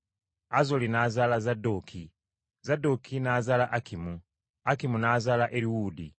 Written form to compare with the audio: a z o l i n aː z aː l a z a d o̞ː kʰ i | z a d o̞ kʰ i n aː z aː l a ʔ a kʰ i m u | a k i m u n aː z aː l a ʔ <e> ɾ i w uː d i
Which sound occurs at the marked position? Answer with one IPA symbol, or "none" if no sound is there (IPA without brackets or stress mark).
e